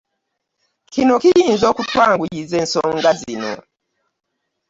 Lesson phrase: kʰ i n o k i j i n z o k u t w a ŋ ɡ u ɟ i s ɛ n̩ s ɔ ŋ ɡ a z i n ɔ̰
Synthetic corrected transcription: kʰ i n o k i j i n z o k u t w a ŋ ɡ u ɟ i z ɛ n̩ s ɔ ŋ ɡ a z i n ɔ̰

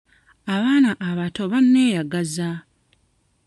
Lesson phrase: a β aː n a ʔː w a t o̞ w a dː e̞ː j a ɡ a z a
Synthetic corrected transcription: a β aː n a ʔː β a t o̞ β a nː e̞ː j a ɡ a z a

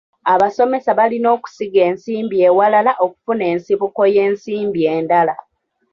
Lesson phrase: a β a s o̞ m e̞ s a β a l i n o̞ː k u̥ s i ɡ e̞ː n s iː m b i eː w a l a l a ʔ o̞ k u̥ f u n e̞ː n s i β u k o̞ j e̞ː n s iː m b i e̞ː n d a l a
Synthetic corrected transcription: a β a s o̞ m e̞ s a β a l i n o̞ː k u̥ s i ɡ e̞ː n s iː m b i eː w a l a l a ʔ o̞ k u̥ f u n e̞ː n s i β u k o̞ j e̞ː n s iː m b i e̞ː n d a l a

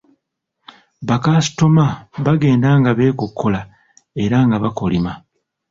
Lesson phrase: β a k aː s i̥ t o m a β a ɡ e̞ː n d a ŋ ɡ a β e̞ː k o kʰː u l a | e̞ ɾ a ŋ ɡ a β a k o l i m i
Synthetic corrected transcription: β a k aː s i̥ t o m a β a ɡ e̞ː n d a ŋ ɡ a β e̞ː k o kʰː o l a | e̞ ɾ a ŋ ɡ a β a k o l i m a

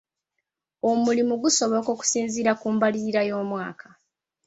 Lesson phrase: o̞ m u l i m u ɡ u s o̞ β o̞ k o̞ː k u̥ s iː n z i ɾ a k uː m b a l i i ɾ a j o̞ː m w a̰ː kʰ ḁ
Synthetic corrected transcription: o̞ m u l i m u ɡ u s o̞ β o̞ k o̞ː k u̥ s iː n z i ɾ a k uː m b a l i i ɾ a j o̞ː m w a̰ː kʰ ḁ

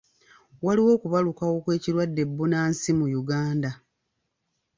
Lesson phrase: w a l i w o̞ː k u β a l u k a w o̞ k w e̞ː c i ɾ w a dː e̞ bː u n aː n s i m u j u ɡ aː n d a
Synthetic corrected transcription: w a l i w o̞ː k u β a l u k a w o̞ k w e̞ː c i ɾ w a dː e̞ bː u n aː n s i m u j u ɡ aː n d a

